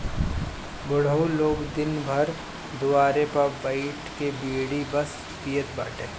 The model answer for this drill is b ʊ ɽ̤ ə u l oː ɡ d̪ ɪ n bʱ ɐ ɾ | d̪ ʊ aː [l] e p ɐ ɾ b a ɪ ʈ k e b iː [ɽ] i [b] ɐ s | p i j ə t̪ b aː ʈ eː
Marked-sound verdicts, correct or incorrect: incorrect: ɾ, correct, correct

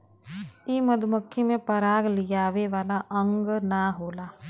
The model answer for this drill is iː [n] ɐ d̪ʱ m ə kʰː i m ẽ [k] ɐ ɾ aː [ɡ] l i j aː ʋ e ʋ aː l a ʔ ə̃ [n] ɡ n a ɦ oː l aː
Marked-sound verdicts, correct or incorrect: incorrect: m, incorrect: p, correct, incorrect: ŋ

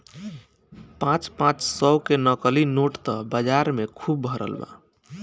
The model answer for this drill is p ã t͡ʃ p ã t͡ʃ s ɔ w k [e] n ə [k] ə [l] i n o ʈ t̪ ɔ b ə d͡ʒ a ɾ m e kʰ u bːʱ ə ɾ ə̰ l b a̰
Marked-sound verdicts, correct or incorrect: correct, correct, correct

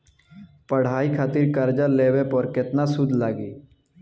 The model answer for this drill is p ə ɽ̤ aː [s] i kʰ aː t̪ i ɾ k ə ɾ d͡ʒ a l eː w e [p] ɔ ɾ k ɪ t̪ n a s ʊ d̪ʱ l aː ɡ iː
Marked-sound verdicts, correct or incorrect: incorrect: none, correct

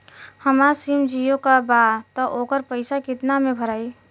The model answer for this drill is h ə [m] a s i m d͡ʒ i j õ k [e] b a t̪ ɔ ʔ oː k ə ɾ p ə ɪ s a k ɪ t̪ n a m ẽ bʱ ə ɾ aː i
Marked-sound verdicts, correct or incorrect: correct, incorrect: a

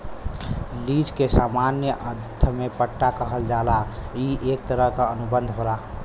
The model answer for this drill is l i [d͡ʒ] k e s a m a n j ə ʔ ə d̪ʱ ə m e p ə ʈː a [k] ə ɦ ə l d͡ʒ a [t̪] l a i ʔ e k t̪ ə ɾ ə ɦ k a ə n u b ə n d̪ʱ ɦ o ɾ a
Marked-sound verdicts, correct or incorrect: correct, correct, incorrect: none

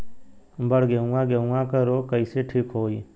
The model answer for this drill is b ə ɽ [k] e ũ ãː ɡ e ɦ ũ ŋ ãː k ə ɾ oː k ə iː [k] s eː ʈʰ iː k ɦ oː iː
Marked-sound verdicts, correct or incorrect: incorrect: ɡ, incorrect: none

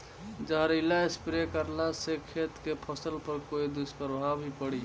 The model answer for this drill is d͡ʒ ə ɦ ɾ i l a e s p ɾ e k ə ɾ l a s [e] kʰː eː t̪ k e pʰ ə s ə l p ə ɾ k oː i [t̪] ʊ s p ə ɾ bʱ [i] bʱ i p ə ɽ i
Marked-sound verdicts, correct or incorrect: correct, incorrect: d̪, incorrect: a

